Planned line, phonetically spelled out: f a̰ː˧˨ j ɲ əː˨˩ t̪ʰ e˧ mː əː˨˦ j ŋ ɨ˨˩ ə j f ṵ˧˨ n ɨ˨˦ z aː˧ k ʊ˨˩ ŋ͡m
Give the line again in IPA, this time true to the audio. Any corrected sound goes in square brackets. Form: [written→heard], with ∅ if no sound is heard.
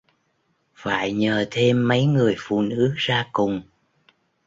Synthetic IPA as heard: f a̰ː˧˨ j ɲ əː˨˩ t̪ʰ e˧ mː [əː˨˦→ə˨˦] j ŋ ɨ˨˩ ə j f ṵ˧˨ n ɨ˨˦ z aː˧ k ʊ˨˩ ŋ͡m